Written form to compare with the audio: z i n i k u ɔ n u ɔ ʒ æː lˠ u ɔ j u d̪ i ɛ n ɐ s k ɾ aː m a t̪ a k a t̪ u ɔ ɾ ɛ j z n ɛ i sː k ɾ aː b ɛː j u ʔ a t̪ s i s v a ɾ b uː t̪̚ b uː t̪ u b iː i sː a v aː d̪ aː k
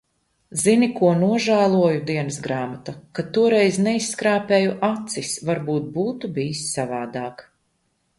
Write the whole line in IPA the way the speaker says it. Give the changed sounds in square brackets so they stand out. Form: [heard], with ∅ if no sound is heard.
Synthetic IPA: z i n i k u ɔ n u ɔ ʒ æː lˠ u ɔ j u d̪ i ɛ n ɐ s [ɡ] ɾ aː m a t̪ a k a t̪ u ɔ ɾ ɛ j z n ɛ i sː k ɾ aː [p] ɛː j u ʔ a t̪ s i s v a ɾ b uː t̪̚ b uː t̪ u b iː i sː a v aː d̪ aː k